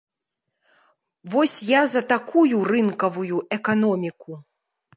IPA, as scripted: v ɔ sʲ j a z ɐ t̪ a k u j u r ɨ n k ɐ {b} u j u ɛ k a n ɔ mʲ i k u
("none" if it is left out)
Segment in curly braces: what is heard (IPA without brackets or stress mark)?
v